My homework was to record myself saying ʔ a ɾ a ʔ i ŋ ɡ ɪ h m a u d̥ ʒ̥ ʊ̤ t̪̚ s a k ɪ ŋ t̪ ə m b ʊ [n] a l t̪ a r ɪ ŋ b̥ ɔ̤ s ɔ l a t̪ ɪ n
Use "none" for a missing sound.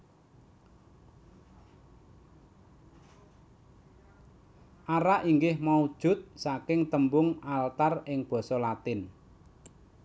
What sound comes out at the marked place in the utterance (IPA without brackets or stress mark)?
ŋ